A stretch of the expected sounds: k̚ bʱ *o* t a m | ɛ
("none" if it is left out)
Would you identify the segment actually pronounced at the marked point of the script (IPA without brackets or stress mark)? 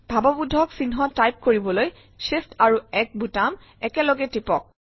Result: u